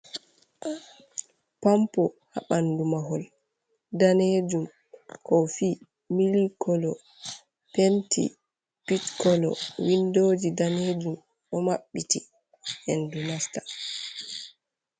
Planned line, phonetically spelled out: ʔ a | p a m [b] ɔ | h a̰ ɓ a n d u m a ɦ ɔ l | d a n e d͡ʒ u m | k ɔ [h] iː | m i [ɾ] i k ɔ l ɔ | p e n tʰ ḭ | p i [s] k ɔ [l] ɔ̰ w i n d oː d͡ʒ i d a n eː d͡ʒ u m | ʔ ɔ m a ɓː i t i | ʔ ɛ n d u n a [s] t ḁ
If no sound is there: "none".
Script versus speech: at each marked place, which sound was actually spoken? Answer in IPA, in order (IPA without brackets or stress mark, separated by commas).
p, f, l, t, l, s